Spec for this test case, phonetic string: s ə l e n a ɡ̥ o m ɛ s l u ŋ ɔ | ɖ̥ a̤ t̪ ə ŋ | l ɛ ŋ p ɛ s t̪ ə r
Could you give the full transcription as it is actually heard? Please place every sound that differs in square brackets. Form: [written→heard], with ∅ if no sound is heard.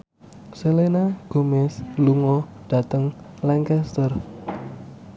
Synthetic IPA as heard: s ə l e n a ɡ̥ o m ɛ s l u ŋ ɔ | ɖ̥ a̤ t̪ ə ŋ | l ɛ ŋ [p→k] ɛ s t̪ ə r